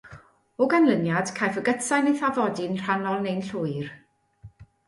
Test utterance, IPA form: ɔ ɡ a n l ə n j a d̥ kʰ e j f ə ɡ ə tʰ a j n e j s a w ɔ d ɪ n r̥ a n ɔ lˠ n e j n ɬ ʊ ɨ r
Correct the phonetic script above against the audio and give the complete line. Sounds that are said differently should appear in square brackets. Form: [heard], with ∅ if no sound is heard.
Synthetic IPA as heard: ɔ ɡ a n l ə n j a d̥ kʰ [a] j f ə ɡ ə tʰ a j n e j [θ] a [v] ɔ d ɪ n r̥ a n ɔ lˠ n e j n ɬ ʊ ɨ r

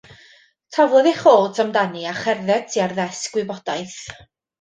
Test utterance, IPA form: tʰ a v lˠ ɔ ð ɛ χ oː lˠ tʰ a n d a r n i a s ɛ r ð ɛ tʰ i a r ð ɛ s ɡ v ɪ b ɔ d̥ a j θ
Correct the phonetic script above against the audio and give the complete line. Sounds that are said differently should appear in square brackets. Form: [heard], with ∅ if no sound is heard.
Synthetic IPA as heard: tʰ a v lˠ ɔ ð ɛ χ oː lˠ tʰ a [m] d a [∅] n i a [χ] ɛ r ð ɛ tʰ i a r ð ɛ s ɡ [w] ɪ b ɔ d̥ a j θ

